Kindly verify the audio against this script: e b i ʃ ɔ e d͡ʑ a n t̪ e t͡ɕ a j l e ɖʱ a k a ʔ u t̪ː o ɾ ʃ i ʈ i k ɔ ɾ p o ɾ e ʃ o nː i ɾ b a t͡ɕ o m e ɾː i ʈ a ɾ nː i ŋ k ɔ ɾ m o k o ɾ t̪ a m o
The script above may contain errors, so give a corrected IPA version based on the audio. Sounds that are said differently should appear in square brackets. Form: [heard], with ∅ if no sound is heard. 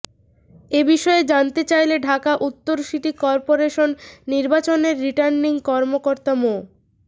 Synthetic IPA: e b i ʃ ɔ e d͡ʑ a n t̪ e t͡ɕ a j l e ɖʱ a k a ʔ u t̪ː o ɾ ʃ i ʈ i k ɔ ɾ p o ɾ e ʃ o nː i ɾ b a t͡ɕ o [n] e ɾː i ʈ a ɾ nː i ŋ k ɔ ɾ m o k o ɾ t̪ a m o